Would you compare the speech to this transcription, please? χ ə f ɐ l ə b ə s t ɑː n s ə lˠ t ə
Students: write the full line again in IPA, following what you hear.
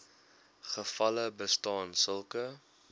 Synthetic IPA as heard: χ ə f ɐ l ə b ə s t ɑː n s ə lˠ k ə